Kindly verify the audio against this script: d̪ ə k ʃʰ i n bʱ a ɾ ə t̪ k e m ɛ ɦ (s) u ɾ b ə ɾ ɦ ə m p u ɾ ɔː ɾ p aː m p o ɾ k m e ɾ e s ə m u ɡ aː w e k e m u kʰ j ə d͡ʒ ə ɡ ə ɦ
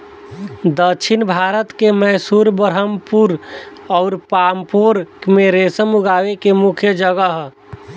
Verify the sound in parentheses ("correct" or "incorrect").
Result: correct